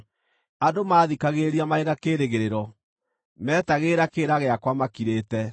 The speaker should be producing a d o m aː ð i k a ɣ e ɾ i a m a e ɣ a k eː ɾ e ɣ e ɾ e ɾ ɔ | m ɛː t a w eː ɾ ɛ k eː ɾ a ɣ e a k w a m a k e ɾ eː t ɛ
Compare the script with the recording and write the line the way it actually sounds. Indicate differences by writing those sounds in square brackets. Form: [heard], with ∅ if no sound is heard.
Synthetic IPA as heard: a d o m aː ð i k a ɣ e ɾ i a m a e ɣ a k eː ɾ e ɣ e ɾ e ɾ ɔ | m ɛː t a [ɣ] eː ɾ [a] k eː ɾ a ɣ e a k w a m a k [i] ɾ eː t ɛ